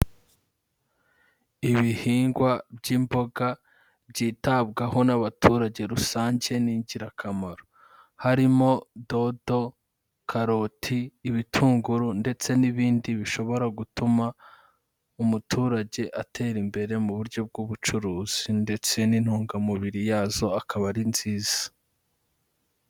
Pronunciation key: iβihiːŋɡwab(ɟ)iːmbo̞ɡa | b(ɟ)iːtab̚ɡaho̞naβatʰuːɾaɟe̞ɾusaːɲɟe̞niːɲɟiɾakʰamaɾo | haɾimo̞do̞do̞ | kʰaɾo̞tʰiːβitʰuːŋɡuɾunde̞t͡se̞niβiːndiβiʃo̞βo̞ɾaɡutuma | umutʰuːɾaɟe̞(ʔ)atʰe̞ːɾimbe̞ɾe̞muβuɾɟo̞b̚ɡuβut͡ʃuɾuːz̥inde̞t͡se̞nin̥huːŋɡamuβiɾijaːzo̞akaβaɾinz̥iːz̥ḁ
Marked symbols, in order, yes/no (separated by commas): yes, yes, yes